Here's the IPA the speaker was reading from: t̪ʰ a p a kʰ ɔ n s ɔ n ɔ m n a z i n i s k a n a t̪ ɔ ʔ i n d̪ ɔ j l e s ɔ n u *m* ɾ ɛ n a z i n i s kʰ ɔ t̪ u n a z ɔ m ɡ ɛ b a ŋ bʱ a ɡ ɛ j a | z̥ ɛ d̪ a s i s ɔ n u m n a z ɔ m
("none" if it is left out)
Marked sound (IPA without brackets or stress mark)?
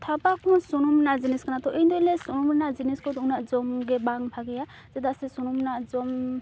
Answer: m